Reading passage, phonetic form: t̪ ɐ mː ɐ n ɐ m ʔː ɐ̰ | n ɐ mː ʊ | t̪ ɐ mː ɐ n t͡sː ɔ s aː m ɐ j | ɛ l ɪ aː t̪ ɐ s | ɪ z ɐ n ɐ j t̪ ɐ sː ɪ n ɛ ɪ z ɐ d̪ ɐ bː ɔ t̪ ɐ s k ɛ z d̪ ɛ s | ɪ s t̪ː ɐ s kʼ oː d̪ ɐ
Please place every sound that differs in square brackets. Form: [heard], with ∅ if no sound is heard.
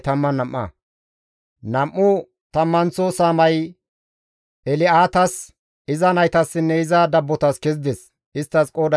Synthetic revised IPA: t̪ ɐ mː ɐ n ɐ m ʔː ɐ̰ | n ɐ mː ʊ | t̪ ɐ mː ɐ n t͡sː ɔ s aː m ɐ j | ɛ l ɪ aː t̪ ɐ s | ɪ z ɐ n ɐ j t̪ ɐ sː ɪ [nː] ɛ ɪ z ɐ d̪ ɐ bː ɔ t̪ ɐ s k ɛ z d̪ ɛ s | ɪ s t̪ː ɐ s kʼ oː d̪ ɐ